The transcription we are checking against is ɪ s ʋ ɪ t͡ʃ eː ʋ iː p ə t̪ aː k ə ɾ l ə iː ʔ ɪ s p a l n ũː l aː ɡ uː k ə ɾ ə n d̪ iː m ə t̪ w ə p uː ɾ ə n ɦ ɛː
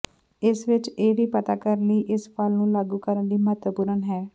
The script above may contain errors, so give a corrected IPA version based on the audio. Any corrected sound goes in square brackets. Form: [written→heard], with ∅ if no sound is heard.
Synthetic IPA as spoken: ɪ s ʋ ɪ t͡ʃ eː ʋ iː p ə t̪ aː k ə ɾ l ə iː ʔ ɪ s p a l n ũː l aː ɡ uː k ə ɾ ə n d̪ iː m ə t̪ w ə p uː ɾ ə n ɦ ɛː

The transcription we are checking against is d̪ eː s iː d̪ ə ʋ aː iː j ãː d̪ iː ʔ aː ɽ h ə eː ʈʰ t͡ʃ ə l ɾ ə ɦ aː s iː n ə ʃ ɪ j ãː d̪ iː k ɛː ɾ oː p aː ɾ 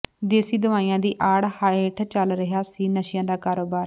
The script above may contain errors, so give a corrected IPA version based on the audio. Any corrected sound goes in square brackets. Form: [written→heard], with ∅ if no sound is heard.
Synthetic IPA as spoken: d̪ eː s iː d̪ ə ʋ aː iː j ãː d̪ iː ʔ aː ɽ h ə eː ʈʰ t͡ʃ ə l ɾ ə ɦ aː s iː n ə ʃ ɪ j ãː d̪ [iː→aː] k [ɛː→aː] ɾ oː [p→b] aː ɾ

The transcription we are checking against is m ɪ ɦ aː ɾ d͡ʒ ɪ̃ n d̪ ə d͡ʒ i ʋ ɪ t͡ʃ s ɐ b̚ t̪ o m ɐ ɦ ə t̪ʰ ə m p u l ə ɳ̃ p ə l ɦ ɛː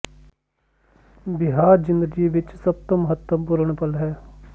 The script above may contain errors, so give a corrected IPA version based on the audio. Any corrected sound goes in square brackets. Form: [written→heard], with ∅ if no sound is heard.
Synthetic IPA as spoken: [m→b] ɪ ɦ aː ɾ d͡ʒ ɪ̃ n d̪ ə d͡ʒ i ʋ ɪ t͡ʃ s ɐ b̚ t̪ o m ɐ ɦ ə [t̪ʰ→t̪] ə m p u [l→ɾ] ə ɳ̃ p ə l ɦ ɛː

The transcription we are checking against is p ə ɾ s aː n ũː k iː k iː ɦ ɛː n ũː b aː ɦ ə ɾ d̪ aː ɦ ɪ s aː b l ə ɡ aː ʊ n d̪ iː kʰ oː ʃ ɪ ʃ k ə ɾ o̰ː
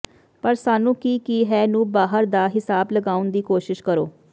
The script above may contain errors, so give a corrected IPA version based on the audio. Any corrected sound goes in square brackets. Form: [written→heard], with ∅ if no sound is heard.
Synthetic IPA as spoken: p ə ɾ s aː n ũː k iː k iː ɦ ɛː n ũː b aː ɦ ə ɾ d̪ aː ɦ ɪ s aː b l ə ɡ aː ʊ n d̪ iː [kʰ→k] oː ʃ ɪ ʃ k ə ɾ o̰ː

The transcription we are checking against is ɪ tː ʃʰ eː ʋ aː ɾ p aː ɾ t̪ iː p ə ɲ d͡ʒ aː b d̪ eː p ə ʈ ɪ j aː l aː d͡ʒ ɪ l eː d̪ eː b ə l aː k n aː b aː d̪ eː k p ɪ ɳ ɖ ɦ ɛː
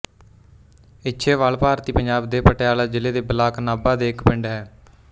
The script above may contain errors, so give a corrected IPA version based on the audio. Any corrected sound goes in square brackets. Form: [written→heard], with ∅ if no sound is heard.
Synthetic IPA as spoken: ɪ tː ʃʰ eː ʋ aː [ɾ→l] p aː ɾ t̪ iː p ə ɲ d͡ʒ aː b d̪ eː p ə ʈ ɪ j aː l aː d͡ʒ ɪ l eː d̪ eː b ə l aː k n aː b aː d̪ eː k p ɪ ɳ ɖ ɦ ɛː

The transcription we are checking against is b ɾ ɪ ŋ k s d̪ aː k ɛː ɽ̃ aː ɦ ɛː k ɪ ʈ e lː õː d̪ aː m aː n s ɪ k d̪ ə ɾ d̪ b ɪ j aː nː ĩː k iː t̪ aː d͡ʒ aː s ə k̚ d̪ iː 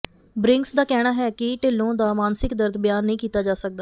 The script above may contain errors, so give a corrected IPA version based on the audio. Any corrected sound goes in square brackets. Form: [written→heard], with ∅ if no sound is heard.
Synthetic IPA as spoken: b ɾ ɪ ŋ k s d̪ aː k ɛː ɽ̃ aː ɦ ɛː k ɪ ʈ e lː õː d̪ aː m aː n s ɪ k d̪ ə ɾ d̪ b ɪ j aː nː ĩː k iː t̪ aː d͡ʒ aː s ə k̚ d̪ [iː→aː]

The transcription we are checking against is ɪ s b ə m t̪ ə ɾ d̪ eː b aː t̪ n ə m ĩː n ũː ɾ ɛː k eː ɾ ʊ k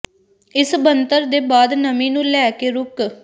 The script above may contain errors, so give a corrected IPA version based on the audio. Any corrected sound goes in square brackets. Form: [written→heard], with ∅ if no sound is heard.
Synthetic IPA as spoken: ɪ s b ə [m→n] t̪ ə ɾ d̪ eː b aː [t̪→d̪] n ə m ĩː n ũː [ɾ→l] ɛː k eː ɾ ʊ k

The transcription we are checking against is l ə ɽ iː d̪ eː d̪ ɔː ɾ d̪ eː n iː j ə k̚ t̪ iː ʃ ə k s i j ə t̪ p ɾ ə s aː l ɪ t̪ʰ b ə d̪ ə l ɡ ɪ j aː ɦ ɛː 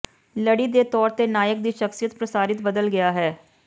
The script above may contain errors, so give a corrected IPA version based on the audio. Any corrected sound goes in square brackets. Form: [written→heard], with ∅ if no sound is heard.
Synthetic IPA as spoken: l ə ɽ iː d̪ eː [d̪→t̪] ɔː ɾ [d̪→t̪] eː n [iː→aː] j ə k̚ [t̪→d̪] iː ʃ ə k s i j ə t̪ p ɾ ə s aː [l→ɾ] ɪ [t̪ʰ→t̪] b ə d̪ ə l ɡ ɪ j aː ɦ ɛː

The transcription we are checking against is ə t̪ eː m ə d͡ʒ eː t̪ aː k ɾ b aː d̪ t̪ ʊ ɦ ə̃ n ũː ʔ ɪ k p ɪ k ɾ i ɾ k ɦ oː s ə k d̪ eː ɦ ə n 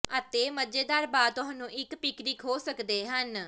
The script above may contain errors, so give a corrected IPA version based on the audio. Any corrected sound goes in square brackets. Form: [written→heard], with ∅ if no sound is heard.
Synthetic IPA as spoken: ə t̪ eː m ə d͡ʒ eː [t̪→d̪] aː [k→∅] ɾ b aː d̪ t̪ ʊ ɦ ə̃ n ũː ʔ ɪ k p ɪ k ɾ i [ɾ→∅] k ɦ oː s ə k d̪ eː ɦ ə n

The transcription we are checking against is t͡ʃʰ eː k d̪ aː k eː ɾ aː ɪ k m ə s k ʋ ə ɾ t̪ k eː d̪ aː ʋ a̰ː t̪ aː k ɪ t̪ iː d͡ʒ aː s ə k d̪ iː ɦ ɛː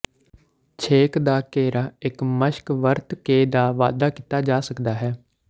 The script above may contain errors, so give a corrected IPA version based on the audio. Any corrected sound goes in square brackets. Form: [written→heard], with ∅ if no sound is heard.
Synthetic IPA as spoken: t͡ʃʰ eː k d̪ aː k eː ɾ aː ɪ k m ə [s→ʃ] k ʋ ə ɾ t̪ k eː d̪ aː ʋ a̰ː [t̪→d̪] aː k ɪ t̪ [iː→aː] d͡ʒ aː s ə k d̪ [iː→aː] ɦ ɛː

